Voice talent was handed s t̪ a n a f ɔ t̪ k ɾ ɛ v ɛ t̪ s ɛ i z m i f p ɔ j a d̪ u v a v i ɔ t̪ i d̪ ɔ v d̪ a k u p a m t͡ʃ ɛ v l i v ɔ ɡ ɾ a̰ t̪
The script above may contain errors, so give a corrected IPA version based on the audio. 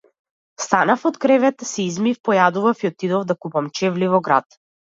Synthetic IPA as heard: s t̪ a n a f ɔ t̪ k ɾ ɛ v ɛ t̪ s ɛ i z m i f p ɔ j a d̪ u v a f i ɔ t̪ i d̪ ɔ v d̪ a k u p a m t͡ʃ ɛ v l i v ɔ ɡ ɾ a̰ t̪